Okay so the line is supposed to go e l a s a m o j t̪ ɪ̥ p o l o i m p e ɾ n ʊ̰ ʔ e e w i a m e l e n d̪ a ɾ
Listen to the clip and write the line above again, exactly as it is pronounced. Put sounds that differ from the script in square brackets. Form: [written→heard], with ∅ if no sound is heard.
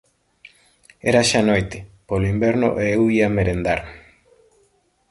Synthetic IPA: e [l→ɾ] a [s→ʃ] a [m→n] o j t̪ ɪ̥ p o l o i m [p→b] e ɾ n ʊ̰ ʔ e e w i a m e [l→ɾ] e n d̪ a ɾ

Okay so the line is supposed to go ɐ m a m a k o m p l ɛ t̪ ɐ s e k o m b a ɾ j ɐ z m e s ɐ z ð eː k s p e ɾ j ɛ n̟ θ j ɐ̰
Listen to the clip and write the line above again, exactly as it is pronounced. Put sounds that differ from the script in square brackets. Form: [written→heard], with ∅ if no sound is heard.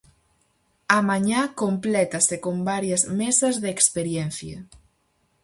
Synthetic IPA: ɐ m a [m→ɲ] a k o m p l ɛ t̪ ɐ s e k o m b a ɾ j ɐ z m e s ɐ z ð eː k s p e ɾ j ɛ n̟ θ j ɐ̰

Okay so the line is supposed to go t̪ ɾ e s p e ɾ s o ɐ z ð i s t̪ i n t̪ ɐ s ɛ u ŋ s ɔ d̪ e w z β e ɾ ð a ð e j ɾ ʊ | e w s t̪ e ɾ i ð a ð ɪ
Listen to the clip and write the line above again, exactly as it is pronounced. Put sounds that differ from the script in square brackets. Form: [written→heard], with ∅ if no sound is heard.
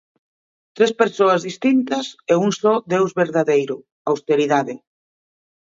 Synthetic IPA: t̪ ɾ e s p e ɾ s o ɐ z ð i s t̪ i n t̪ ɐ s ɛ u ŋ s ɔ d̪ e w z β e ɾ ð a ð e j ɾ ʊ | [e→a] w s t̪ e ɾ i ð a ð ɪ

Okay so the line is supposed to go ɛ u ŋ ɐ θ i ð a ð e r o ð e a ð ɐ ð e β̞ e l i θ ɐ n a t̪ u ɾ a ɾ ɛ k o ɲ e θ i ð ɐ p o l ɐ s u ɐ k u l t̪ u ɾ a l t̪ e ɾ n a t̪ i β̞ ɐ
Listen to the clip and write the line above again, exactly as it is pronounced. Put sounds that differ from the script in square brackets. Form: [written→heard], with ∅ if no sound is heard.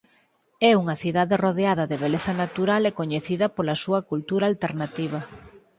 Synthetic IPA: ɛ u ŋ ɐ θ i ð a ð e r o ð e a ð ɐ ð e β̞ e l [i→e] θ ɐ n a t̪ u ɾ a [ɾ→l] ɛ k o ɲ e θ i ð ɐ p o l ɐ s u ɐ k u l t̪ u ɾ a l t̪ e ɾ n a t̪ i β̞ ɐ

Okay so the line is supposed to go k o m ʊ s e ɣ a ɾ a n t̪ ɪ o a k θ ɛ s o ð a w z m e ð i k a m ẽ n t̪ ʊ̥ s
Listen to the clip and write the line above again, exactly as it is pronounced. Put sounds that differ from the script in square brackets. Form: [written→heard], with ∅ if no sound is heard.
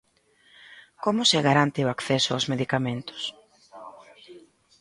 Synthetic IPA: k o m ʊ s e ɣ a ɾ a n t̪ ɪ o a k θ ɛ s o [ð→∅] a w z m e ð i k a m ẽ n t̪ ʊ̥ s

